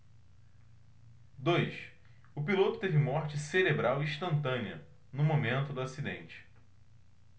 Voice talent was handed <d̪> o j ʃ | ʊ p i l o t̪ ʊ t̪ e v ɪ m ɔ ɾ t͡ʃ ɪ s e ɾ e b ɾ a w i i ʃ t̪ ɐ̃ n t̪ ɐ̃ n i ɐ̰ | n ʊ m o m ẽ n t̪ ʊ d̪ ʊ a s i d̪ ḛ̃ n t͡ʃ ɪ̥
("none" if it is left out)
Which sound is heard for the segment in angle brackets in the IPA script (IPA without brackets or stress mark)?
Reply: d̪